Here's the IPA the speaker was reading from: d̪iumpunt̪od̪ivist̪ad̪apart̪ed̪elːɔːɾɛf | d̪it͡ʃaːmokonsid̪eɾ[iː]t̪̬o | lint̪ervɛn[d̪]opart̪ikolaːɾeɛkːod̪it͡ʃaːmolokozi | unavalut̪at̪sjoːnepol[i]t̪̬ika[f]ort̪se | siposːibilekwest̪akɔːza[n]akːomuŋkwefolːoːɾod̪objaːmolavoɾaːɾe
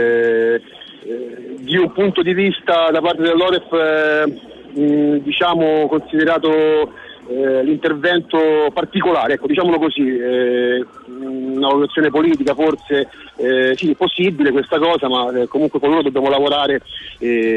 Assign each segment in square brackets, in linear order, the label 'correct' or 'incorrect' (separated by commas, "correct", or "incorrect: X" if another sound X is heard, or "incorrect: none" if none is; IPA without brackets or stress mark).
incorrect: aː, incorrect: t̪, incorrect: iː, correct, incorrect: m